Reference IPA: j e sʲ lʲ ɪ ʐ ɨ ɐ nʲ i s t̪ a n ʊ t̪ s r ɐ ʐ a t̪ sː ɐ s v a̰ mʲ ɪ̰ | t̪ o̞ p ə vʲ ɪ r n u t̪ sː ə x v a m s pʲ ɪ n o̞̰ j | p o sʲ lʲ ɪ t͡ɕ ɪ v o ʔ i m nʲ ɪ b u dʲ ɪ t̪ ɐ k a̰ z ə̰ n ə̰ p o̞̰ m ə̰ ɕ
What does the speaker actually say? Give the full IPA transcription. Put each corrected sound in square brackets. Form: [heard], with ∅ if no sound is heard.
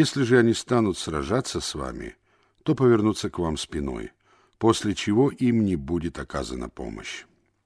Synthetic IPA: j e sʲ lʲ ɪ ʐ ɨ ɐ nʲ i s t̪ a n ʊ t̪ s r ɐ ʐ a t̪ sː [ə] s v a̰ mʲ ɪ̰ | t̪ o̞ p ə vʲ ɪ r n u t̪ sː ə [k] v a m s pʲ ɪ n o̞̰ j | p o sʲ lʲ ɪ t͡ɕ ɪ v o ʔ i m nʲ ɪ b u dʲ ɪ t̪ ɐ k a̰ z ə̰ n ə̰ p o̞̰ m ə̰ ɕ